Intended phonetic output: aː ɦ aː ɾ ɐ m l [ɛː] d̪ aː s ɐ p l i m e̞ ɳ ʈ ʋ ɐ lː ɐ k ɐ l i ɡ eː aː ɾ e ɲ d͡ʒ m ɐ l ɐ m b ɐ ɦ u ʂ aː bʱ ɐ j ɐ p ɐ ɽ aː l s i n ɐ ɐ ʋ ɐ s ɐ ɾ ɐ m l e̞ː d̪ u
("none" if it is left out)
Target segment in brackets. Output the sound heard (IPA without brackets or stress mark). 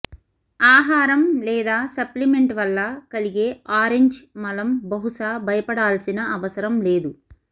ɛː